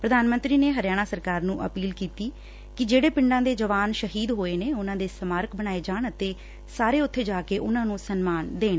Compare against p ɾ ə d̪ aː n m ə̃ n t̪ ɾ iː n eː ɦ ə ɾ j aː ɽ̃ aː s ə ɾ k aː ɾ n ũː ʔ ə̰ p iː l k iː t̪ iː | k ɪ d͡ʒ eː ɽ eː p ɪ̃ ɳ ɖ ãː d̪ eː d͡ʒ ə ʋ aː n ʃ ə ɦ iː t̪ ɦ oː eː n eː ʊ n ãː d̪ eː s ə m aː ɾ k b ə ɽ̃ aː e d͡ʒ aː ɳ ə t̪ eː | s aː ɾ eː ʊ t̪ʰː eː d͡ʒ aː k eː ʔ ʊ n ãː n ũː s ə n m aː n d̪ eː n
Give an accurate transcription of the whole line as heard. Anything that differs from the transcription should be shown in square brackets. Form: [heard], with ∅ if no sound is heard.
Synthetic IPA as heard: p ɾ ə d̪ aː n m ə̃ n t̪ ɾ iː n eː ɦ ə ɾ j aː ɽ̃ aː s ə ɾ k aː ɾ n ũː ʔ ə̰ p iː l k iː t̪ iː | k ɪ d͡ʒ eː ɽ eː p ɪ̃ ɳ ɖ ãː d̪ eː d͡ʒ ə ʋ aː n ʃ ə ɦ iː [d̪] ɦ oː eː n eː ʊ n ãː d̪ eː s ə m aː ɾ k b ə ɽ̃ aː e d͡ʒ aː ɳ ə t̪ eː | s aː ɾ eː ʊ t̪ʰː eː d͡ʒ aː k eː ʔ ʊ n ãː n ũː s ə n m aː n d̪ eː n

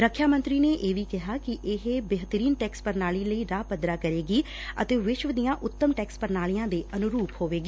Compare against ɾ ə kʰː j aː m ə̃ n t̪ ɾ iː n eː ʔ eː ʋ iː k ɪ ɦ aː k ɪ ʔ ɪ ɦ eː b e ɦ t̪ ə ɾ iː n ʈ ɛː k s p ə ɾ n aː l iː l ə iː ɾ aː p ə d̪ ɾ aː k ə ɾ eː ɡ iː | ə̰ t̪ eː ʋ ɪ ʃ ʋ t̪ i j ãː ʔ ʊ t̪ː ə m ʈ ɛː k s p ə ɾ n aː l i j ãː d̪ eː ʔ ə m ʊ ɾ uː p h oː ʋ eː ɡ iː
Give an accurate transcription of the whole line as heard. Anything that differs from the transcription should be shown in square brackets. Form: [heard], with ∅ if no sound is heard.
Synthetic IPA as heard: ɾ ə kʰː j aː m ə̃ n t̪ ɾ iː n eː ʔ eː ʋ iː k ɪ ɦ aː k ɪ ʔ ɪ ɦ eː b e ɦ t̪ ə ɾ iː n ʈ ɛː k s p ə ɾ n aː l iː l ə iː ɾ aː p ə d̪ ɾ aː k ə ɾ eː ɡ iː | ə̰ t̪ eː ʋ ɪ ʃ ʋ [d̪] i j ãː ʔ ʊ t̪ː ə m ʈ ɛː k s p ə ɾ n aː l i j ãː d̪ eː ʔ ə [n] ʊ ɾ uː p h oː ʋ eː ɡ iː

